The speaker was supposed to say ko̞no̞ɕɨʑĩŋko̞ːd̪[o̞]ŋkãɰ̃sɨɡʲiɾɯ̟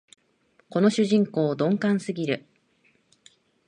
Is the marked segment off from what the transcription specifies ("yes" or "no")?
yes